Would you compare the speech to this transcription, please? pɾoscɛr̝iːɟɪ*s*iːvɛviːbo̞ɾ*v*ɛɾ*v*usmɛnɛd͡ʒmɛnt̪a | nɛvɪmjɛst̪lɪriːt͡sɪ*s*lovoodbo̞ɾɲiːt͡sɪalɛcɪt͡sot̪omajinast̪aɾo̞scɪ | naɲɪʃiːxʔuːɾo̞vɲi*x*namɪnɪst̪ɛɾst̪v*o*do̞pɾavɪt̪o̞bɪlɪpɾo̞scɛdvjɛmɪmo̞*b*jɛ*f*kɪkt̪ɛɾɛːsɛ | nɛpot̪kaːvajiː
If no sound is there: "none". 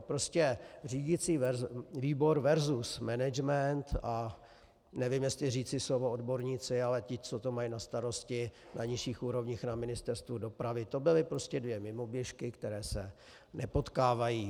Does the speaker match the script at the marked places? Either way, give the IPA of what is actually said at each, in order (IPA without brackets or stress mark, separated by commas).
t͡s, v, z, s, x, u, b, ʃ